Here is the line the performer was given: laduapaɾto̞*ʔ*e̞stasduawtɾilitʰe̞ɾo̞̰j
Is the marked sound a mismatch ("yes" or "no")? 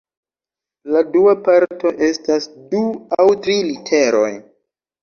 no